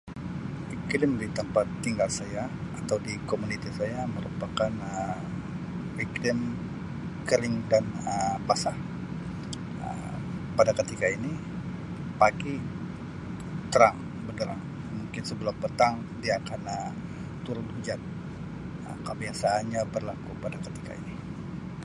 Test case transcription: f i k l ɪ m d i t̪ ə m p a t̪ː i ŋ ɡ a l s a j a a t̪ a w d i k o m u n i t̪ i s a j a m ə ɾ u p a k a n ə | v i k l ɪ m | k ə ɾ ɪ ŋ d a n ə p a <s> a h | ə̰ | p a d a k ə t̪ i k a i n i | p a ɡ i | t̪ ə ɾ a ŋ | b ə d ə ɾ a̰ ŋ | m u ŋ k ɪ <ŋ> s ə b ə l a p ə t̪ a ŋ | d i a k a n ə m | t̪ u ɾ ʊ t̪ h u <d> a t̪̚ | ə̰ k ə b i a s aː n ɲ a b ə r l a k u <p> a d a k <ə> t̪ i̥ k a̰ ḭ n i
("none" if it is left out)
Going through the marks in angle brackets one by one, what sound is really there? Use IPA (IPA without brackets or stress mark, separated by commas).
s, n, d͡ʒ, p, ə